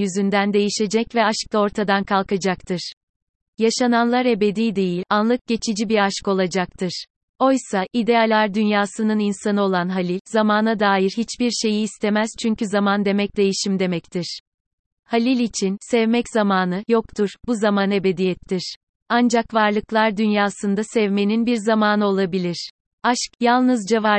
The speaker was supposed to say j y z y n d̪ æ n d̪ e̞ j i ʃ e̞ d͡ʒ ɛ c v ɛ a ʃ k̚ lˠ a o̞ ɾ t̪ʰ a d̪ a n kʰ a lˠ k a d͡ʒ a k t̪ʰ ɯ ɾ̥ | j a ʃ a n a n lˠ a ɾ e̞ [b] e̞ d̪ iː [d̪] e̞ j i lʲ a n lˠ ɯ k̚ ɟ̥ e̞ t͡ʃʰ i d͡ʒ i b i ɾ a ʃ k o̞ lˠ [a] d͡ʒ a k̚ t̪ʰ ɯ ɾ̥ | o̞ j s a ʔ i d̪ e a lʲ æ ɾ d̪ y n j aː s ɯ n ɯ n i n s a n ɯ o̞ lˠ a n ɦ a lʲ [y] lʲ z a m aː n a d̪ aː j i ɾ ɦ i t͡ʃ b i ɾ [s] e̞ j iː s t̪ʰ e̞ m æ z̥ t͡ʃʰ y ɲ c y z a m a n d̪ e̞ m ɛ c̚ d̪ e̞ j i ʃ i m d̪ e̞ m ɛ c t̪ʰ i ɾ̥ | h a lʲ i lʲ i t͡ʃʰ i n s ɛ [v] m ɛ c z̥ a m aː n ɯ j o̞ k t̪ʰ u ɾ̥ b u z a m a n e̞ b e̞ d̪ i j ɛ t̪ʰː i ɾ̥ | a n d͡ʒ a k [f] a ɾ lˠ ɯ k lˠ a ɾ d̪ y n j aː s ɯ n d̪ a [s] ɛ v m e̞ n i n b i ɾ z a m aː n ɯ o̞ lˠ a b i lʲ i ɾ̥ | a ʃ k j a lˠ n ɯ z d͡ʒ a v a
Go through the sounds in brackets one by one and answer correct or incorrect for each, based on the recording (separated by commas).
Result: correct, correct, correct, incorrect, incorrect, correct, incorrect, correct